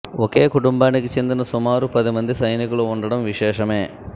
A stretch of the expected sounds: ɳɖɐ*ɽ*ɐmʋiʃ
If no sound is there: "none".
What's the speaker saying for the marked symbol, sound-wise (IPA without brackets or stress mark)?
ɽ